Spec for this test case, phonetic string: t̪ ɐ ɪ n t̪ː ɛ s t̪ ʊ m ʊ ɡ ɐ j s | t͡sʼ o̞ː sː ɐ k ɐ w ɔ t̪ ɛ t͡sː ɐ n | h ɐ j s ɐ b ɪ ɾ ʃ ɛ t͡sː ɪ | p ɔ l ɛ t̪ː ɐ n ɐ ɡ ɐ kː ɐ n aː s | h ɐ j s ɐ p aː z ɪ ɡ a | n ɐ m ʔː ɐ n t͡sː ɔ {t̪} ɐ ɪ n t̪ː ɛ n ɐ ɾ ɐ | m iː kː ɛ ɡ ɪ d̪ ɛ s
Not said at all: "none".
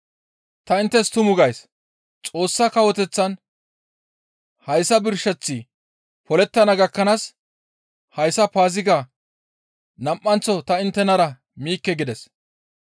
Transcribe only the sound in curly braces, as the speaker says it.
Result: t̪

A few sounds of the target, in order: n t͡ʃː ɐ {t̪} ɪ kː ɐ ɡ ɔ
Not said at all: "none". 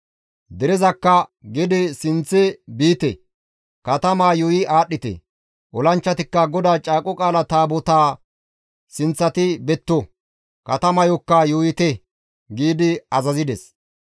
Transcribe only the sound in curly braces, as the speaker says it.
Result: t̪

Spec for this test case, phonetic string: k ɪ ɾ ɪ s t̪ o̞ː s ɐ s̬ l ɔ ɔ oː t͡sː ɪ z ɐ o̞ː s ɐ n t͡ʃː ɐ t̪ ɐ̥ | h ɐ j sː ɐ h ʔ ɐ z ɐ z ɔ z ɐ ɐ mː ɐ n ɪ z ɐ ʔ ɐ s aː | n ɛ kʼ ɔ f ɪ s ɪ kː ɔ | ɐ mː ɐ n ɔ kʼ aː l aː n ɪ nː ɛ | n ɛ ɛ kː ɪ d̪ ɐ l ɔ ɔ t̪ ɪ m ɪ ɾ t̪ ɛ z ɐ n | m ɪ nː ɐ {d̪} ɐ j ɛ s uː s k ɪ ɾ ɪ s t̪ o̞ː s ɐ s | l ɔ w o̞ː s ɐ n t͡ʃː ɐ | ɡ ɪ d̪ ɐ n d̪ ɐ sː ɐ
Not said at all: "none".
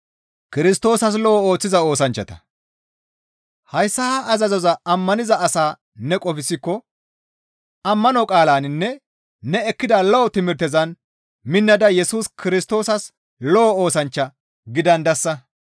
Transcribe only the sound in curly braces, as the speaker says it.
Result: d̪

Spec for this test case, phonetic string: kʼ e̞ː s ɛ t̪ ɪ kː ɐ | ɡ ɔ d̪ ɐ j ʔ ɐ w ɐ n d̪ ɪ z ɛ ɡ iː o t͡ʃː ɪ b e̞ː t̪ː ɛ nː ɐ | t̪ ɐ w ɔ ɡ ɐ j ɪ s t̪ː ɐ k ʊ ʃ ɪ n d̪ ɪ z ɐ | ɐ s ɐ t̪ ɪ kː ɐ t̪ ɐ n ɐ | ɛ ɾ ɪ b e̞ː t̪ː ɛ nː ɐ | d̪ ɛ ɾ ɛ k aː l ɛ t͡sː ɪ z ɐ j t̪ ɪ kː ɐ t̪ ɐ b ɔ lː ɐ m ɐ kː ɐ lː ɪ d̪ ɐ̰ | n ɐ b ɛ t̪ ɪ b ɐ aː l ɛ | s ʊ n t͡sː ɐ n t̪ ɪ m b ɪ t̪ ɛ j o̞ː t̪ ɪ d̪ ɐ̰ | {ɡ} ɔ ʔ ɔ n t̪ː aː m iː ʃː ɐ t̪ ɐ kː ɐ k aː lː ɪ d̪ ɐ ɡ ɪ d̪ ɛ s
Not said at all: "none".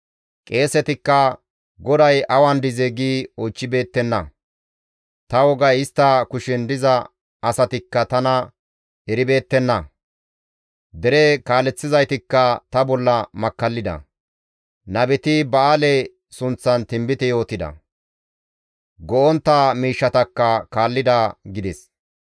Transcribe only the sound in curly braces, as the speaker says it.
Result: ɡ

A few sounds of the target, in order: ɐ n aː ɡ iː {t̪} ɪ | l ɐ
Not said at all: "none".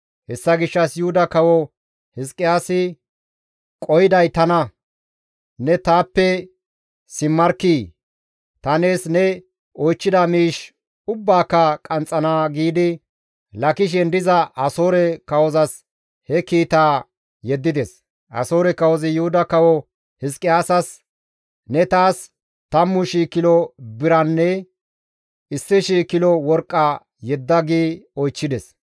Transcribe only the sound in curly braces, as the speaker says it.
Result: d̪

